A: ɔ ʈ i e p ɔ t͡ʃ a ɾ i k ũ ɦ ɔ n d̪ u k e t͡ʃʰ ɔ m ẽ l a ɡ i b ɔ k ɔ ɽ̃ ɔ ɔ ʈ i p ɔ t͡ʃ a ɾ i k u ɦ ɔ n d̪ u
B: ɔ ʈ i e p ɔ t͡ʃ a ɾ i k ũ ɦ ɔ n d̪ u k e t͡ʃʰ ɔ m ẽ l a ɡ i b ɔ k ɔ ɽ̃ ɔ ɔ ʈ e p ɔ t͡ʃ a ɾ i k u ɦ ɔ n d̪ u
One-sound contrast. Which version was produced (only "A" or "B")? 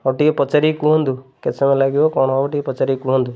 A